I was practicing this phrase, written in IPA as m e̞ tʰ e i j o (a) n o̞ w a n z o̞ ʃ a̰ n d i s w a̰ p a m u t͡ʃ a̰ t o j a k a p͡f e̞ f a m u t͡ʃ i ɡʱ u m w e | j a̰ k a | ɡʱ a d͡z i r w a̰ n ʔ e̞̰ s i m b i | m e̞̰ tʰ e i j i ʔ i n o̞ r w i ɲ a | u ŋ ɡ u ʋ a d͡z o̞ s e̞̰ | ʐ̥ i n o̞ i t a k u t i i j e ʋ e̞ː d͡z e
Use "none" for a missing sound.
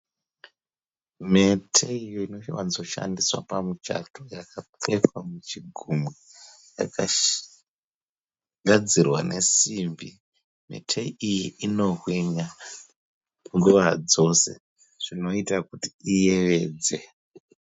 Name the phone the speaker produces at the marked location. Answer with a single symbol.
i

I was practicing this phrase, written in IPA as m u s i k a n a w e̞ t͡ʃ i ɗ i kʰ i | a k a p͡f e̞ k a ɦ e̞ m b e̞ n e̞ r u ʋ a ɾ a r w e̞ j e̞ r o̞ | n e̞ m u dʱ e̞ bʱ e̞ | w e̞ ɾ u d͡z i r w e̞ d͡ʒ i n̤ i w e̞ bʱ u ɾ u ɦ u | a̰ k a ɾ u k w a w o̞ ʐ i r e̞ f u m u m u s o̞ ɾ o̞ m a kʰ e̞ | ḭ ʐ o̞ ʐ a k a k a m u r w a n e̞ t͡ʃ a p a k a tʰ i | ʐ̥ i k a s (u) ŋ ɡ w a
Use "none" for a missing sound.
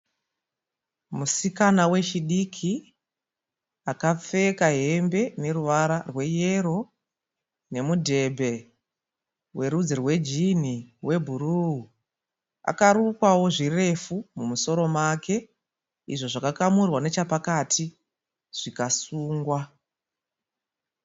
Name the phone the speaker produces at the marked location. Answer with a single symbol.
uː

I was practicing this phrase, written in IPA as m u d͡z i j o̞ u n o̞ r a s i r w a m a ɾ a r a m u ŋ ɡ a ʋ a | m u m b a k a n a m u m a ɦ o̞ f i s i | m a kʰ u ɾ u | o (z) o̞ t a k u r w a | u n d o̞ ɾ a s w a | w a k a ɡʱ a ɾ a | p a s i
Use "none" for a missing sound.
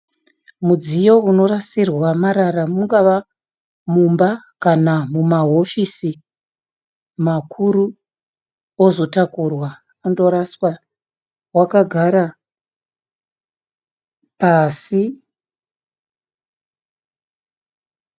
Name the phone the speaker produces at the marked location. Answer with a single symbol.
z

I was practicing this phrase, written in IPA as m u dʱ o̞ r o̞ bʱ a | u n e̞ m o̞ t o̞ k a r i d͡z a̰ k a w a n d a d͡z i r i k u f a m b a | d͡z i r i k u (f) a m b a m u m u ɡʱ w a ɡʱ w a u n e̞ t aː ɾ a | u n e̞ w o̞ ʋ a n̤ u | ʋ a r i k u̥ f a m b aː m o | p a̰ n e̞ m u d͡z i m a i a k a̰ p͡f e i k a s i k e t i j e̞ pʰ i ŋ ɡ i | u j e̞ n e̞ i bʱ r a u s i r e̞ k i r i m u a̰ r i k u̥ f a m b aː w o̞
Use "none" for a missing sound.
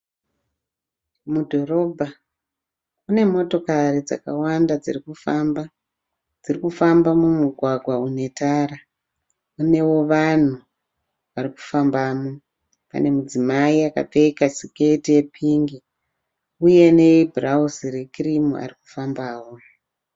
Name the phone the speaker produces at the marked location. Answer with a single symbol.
f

